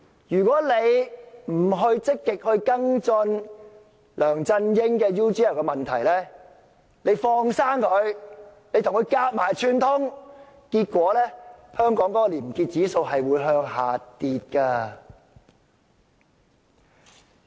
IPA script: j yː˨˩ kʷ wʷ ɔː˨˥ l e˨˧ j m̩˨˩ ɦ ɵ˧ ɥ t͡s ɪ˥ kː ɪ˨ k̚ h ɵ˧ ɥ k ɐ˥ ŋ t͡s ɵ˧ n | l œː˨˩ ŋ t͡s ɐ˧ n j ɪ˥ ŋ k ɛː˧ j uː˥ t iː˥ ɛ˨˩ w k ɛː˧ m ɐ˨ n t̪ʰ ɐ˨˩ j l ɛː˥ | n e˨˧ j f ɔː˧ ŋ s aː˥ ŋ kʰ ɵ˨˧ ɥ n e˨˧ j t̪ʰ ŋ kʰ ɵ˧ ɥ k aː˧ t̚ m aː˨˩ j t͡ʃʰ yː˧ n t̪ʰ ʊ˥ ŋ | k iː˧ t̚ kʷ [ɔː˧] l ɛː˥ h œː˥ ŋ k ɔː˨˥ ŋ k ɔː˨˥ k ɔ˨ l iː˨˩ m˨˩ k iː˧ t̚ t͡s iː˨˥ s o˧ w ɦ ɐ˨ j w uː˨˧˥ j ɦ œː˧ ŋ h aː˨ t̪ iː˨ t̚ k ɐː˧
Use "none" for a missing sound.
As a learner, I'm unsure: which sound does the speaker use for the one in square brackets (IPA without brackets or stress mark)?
ɔː˨˥